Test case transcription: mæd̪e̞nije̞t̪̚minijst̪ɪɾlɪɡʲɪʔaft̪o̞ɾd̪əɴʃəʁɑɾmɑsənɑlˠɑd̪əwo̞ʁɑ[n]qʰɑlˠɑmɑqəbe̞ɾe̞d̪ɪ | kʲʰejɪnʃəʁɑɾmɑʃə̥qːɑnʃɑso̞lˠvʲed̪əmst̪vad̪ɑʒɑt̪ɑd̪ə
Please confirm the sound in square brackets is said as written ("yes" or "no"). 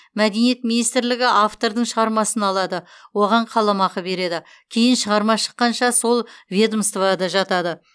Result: no